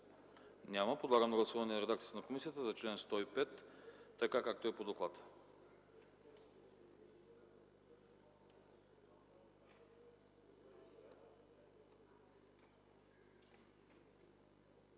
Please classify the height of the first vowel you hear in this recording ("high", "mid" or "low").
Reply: low